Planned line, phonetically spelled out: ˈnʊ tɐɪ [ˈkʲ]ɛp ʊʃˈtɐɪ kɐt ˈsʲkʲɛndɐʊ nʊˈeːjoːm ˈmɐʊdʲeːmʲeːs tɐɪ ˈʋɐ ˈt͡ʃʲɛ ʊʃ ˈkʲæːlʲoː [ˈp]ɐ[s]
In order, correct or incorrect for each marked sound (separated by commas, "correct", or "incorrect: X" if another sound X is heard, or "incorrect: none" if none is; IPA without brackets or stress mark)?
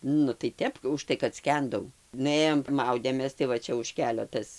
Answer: incorrect: tʲ, incorrect: t, correct